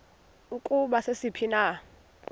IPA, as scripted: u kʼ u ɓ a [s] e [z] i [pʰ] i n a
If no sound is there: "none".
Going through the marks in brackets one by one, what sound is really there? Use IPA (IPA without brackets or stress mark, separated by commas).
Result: s, s, pʰ